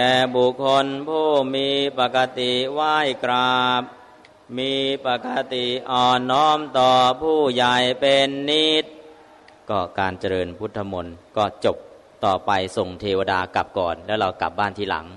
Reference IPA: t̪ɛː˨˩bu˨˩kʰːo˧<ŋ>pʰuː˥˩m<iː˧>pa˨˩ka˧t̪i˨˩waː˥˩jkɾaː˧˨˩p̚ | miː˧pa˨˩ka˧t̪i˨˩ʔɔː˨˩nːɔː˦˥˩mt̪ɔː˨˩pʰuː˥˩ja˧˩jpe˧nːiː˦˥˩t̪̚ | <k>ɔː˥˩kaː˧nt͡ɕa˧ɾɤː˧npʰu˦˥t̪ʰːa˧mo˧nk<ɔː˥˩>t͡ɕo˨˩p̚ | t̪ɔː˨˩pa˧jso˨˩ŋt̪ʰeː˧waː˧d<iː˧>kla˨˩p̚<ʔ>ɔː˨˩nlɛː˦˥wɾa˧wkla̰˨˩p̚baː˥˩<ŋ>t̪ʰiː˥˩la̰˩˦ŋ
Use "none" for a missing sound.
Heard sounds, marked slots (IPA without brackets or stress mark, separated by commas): n, iː˧, k, ɔː˥˩, aː˧, k, n